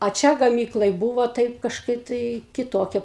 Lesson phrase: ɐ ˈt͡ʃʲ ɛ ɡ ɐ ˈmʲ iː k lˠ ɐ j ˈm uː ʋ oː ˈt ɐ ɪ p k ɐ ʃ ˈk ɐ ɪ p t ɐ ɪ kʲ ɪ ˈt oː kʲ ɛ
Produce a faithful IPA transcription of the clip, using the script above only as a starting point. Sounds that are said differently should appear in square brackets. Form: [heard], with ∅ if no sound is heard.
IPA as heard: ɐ ˈt͡ʃʲ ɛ ɡ ɐ ˈmʲ iː k lˠ ɐ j [ˈb] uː ʋ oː ˈt ɐ ɪ p k ɐ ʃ ˈk ɐ ɪ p t ɐ ɪ kʲ ɪ ˈt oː kʲ ɛ